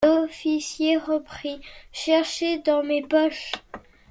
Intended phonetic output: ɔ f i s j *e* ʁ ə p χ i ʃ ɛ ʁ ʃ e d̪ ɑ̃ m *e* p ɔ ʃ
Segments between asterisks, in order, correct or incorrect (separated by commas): correct, correct